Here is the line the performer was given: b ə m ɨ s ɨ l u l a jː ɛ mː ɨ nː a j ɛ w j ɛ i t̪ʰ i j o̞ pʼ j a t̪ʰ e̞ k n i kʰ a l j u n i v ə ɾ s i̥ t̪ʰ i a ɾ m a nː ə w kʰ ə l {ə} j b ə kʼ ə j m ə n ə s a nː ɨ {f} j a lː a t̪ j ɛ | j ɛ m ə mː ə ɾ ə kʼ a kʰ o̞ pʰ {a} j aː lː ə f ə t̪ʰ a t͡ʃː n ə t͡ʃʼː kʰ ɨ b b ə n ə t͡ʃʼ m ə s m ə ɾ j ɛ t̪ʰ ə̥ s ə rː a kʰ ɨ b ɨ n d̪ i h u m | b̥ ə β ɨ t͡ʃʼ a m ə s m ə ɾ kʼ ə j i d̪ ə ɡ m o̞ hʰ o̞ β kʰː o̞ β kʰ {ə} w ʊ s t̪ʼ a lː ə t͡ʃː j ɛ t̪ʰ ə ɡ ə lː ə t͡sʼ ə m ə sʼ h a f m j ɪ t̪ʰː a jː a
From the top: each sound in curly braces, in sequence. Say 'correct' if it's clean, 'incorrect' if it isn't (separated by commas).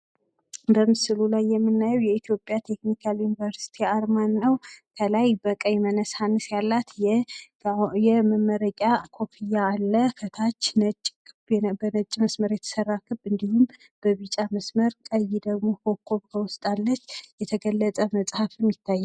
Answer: incorrect, incorrect, incorrect, correct